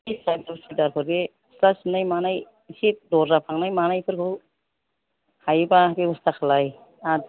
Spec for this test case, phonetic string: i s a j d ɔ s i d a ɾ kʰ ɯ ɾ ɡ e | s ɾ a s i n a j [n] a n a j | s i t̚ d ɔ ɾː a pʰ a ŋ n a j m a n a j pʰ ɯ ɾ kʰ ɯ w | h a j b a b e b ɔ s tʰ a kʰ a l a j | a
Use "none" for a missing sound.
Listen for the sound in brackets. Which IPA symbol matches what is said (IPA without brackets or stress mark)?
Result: m